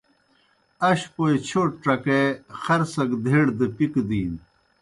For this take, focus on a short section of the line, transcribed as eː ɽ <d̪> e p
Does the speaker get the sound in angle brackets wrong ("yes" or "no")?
no